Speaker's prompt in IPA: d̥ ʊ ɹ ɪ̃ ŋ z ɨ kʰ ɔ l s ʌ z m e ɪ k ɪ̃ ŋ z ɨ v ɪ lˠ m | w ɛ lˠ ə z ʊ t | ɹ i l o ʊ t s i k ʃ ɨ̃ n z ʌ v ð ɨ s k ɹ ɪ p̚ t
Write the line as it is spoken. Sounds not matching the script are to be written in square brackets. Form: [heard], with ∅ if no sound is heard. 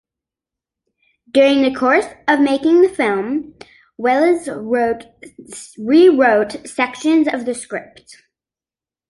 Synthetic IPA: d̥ ʊ ɹ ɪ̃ ŋ [ð] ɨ kʰ ɔ [ɹ] s ʌ [v] m e ɪ k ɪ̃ ŋ [ð] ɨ [f] ɪ lˠ m | w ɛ lˠ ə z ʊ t | ɹ i [ɹ] o ʊ t s [ɛ] k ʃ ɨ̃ n z ʌ v ð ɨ s k ɹ ɪ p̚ t